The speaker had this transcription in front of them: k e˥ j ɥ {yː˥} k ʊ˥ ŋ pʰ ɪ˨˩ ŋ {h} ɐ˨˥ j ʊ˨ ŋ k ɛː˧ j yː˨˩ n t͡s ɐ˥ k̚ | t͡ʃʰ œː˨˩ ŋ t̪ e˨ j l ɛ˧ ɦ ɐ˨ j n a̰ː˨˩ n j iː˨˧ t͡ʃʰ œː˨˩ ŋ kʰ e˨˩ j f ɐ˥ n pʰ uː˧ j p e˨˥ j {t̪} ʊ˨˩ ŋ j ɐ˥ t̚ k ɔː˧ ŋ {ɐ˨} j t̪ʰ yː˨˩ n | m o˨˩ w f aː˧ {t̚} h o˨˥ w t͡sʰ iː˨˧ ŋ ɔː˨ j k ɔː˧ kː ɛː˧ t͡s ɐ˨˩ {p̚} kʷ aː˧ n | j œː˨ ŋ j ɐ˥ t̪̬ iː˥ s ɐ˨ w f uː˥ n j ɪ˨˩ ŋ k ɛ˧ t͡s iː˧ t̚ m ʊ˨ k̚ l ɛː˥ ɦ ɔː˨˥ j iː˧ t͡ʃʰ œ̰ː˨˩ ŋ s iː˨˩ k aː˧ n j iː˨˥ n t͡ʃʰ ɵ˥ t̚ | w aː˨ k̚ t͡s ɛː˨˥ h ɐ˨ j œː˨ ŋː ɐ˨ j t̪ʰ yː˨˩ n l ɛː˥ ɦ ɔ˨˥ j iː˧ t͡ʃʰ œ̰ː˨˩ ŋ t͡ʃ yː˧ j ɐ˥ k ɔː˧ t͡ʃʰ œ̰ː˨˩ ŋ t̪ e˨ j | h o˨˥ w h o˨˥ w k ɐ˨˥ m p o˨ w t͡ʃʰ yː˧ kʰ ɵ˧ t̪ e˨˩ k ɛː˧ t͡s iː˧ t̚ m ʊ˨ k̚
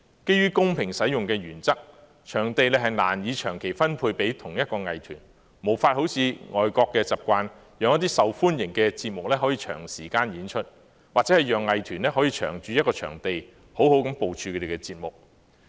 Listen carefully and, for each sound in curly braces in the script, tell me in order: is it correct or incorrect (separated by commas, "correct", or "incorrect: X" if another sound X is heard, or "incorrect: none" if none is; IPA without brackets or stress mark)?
correct, incorrect: s, incorrect: t̪ʰ, correct, correct, correct